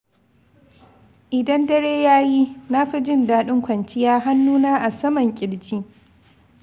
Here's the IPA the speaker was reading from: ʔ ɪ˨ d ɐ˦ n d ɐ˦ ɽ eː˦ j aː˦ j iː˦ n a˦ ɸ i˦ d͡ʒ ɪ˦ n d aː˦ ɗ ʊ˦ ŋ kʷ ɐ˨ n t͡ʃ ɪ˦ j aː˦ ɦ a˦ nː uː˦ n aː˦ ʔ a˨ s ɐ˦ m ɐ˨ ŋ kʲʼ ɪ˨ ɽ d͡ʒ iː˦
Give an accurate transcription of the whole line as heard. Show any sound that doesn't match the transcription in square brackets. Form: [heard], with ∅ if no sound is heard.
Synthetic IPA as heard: ʔ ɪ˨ d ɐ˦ n d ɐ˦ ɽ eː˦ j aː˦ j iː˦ n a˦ ɸ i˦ d͡ʒ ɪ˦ n d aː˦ ɗ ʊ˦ ŋ kʷ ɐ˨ n t͡ʃ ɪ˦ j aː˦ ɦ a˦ nː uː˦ n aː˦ ʔ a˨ s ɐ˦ m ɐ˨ ŋ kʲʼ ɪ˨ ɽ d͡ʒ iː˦